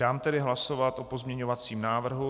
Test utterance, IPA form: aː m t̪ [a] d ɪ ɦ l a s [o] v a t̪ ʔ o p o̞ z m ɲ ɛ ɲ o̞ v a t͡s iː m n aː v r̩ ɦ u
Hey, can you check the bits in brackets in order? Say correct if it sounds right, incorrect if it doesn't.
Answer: incorrect, correct

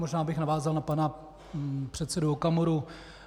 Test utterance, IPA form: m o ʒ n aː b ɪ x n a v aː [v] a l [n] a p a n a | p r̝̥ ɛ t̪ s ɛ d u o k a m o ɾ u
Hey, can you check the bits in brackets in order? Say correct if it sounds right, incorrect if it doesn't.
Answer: incorrect, correct

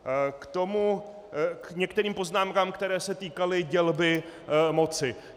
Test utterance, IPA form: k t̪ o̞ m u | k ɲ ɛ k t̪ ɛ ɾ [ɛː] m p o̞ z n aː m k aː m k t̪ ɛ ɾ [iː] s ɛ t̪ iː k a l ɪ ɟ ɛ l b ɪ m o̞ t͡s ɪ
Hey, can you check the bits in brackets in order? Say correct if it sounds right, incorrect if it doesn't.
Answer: incorrect, incorrect

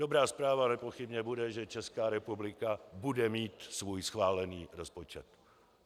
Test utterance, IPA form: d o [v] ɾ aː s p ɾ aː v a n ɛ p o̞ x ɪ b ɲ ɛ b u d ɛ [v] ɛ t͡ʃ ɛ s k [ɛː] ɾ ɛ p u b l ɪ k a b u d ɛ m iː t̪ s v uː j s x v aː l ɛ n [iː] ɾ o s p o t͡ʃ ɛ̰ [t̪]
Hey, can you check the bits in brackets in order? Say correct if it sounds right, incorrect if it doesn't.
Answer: incorrect, incorrect, incorrect, correct, correct

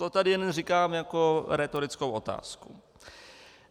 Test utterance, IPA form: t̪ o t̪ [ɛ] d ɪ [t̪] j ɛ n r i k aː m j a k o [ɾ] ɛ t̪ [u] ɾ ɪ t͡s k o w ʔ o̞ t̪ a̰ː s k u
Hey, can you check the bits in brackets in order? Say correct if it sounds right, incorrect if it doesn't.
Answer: incorrect, incorrect, correct, incorrect

